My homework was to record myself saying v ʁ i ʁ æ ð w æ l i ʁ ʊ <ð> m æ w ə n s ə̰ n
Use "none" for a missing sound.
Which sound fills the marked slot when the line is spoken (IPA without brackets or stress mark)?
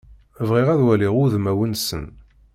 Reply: ð